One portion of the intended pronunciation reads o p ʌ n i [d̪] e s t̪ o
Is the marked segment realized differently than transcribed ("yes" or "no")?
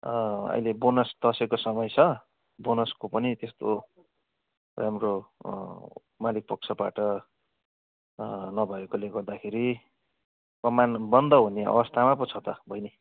yes